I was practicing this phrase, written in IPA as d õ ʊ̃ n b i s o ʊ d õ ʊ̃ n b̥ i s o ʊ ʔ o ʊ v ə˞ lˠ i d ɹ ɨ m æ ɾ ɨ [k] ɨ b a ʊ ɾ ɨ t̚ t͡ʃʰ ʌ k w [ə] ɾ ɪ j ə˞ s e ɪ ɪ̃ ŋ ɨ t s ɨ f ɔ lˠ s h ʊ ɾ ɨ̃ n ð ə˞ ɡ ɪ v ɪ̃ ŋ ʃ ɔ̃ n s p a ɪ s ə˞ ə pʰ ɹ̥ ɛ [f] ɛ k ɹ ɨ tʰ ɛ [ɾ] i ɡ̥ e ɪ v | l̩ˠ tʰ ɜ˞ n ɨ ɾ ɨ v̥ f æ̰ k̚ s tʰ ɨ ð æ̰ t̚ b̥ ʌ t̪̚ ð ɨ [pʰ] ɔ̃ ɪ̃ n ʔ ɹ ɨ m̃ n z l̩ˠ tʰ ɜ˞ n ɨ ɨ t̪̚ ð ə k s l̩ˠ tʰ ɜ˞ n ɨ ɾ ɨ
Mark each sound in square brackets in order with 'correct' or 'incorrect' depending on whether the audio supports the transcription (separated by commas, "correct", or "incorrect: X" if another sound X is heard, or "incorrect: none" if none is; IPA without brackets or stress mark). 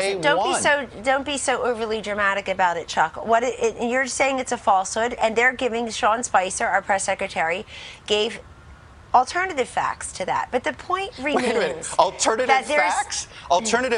correct, incorrect: ʌ, incorrect: s, incorrect: ɹ, correct